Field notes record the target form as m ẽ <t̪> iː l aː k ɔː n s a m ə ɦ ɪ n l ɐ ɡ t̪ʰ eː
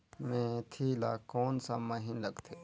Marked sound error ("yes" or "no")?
yes